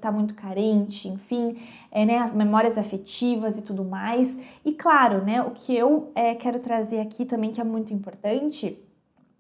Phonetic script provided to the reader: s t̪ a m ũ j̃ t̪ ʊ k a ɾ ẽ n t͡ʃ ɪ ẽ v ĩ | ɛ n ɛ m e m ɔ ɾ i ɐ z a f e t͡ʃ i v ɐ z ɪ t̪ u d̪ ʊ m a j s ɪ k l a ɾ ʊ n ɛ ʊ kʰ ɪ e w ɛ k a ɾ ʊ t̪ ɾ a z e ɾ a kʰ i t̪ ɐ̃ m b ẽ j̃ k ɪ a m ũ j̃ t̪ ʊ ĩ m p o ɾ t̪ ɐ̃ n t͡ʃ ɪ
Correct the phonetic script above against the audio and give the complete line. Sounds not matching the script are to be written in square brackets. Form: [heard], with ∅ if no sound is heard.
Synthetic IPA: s t̪ a m ũ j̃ t̪ ʊ k a ɾ ẽ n t͡ʃ ɪ ẽ [f] ĩ | ɛ n ɛ m e m ɔ ɾ i ɐ z a f e t͡ʃ i v ɐ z ɪ t̪ u d̪ ʊ m a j s ɪ k l a ɾ ʊ n ɛ ʊ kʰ ɪ e w ɛ k [ɛ] ɾ ʊ t̪ ɾ a z e ɾ a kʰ i t̪ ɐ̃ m b ẽ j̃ k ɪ [ɛ] m ũ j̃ t̪ ʊ ĩ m p o ɾ t̪ ɐ̃ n t͡ʃ ɪ